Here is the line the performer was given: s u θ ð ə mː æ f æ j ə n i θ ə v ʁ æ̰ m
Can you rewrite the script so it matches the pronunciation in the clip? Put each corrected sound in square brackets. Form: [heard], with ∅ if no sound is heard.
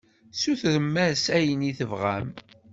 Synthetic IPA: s u θ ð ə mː æ [s] æ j ə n i θ ə v ʁ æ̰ m